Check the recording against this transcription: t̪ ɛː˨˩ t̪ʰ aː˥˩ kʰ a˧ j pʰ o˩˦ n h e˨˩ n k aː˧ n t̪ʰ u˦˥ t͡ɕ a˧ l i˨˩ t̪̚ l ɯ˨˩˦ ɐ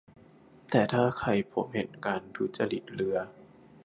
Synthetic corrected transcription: t̪ ɛː˨˩ t̪ʰ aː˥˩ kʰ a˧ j pʰ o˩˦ m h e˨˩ n k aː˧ n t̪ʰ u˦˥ t͡ɕ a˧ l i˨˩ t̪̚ l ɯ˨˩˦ ɐ